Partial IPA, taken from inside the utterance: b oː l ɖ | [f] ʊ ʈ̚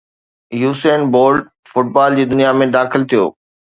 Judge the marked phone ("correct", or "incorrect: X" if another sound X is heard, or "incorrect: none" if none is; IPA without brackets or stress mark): correct